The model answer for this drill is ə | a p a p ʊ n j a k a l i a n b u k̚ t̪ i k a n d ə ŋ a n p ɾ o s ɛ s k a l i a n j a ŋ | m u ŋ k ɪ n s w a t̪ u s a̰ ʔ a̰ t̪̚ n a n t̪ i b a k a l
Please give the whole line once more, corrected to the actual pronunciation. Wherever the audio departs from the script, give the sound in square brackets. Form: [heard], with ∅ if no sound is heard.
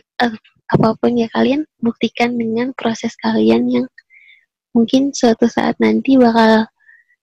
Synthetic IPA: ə | a p a p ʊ n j a k a l i a n b u k̚ t̪ i k a n d ə ŋ a n p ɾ o s ɛ s k a l i a n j a ŋ | m u ŋ k ɪ n s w a t̪ u s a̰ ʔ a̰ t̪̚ n a n t̪ i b a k a l